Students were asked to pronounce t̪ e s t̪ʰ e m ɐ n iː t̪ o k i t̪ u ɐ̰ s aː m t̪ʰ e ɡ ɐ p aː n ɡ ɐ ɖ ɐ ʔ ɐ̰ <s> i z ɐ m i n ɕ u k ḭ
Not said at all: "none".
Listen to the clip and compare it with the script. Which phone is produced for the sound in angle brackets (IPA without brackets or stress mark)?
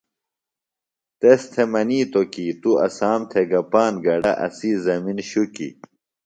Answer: s